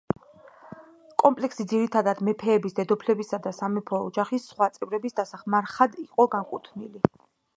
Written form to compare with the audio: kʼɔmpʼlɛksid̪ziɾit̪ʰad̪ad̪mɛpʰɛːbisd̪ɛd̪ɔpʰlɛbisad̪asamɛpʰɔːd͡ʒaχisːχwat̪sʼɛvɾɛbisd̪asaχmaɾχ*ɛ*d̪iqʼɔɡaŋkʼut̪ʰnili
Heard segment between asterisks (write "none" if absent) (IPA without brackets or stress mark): a